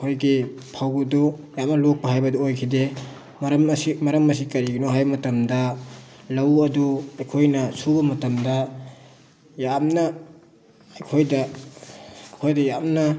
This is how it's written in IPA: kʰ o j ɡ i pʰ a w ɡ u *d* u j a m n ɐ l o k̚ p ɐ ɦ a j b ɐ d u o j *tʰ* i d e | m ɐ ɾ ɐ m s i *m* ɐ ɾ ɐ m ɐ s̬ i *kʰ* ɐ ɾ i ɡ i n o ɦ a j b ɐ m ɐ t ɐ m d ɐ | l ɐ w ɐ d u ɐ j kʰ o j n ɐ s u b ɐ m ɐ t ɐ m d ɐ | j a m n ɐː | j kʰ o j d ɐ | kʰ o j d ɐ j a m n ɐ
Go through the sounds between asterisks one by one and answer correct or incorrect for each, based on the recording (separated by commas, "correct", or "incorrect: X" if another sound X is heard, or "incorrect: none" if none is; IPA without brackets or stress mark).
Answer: correct, incorrect: kʰ, correct, incorrect: k